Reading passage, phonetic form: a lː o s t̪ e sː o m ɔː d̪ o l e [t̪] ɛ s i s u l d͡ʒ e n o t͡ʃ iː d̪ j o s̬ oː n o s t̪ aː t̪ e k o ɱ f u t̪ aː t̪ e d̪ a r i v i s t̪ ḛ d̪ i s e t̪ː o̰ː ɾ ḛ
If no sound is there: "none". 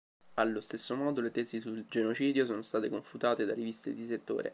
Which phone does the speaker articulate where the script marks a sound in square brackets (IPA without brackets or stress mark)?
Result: t̪